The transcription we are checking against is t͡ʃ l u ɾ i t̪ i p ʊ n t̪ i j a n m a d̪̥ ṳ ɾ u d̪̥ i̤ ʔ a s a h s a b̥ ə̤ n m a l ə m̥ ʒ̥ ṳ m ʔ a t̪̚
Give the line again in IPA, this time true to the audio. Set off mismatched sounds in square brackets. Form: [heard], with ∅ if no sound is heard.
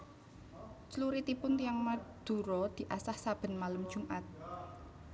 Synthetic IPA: t͡ʃ l u ɾ i t̪ i p ʊ n t̪ i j a [ŋ] m a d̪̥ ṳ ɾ [ɔ] d̪̥ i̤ ʔ a s a h s a b̥ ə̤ n m a l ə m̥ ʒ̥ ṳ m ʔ a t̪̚

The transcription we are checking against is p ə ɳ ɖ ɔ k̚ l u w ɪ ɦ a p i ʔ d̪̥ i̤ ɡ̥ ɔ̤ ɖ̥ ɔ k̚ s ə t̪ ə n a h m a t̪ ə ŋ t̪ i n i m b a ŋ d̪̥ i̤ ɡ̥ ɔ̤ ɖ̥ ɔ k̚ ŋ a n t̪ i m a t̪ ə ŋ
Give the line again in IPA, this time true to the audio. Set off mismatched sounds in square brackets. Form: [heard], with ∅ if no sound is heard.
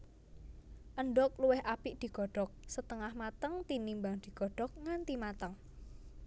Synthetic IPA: [ʔ] ə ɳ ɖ ɔ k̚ l u w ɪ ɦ a p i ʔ d̪̥ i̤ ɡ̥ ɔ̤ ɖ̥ ɔ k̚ s ə t̪ ə [ŋ] a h m a t̪ ə ŋ t̪ i n i m b a ŋ d̪̥ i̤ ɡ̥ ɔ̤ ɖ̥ ɔ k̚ ŋ a n t̪ i m a t̪ ə ŋ

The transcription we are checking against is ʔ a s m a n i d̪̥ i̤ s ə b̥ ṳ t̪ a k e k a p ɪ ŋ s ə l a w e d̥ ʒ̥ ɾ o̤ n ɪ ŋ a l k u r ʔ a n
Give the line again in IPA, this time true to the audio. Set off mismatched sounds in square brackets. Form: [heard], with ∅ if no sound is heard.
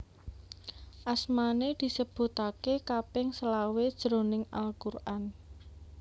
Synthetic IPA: ʔ a s m a n [e] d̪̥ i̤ s ə b̥ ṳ t̪ a k e k a p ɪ ŋ s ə l a w e d̥ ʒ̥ ɾ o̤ n ɪ ŋ a l k u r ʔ a n

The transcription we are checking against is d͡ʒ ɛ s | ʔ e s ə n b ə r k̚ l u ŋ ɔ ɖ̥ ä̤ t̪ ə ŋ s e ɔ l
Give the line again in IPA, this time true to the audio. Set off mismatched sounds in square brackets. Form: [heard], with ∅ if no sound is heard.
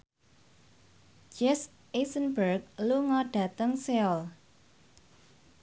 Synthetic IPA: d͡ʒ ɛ s | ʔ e s ə n b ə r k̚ l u ŋ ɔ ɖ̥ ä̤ t̪ ə ŋ s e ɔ l

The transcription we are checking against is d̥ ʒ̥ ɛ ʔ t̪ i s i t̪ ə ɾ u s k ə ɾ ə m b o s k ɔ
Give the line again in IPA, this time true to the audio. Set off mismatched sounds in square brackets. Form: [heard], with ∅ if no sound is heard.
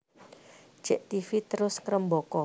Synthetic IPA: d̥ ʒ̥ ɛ ʔ t̪ i [f] i t̪ ə ɾ [ʊ] s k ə ɾ ə m b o [∅] k ɔ

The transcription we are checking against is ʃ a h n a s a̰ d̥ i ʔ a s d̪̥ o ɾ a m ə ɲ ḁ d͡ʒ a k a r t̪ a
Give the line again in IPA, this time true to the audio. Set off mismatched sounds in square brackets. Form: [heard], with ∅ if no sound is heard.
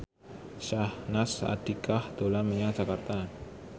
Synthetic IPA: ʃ a h n a s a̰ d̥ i [k] a [h] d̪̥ o [l] a m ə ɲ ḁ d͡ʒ a k a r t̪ a

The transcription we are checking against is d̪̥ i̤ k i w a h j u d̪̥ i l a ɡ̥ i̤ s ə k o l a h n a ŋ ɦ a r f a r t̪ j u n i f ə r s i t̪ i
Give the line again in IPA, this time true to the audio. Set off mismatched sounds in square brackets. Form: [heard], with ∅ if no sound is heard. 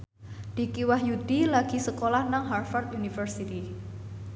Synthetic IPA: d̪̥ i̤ k i w a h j u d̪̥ i l a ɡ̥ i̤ s ə k o l a h n a ŋ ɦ a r f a r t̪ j u n i f ə r s i t̪ i

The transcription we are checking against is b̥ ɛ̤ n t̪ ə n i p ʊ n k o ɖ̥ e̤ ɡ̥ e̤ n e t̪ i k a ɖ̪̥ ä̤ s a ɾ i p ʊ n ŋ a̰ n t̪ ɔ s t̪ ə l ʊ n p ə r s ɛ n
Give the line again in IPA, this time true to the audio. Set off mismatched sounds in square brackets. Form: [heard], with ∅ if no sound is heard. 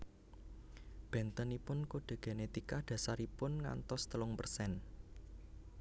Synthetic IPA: b̥ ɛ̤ n t̪ ə n i p ʊ n k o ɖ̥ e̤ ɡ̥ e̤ n e t̪ i k a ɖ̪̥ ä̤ s a ɾ i p ʊ n ŋ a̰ n t̪ ɔ s t̪ ə l ʊ [ŋ] p ə r s ɛ n

